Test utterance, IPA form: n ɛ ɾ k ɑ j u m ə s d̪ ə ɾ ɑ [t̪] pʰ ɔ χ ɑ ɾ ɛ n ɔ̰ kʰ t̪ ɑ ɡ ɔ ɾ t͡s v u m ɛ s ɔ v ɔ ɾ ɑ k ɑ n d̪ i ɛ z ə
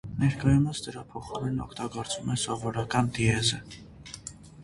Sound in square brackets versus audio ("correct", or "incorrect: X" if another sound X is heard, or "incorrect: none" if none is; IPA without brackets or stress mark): incorrect: none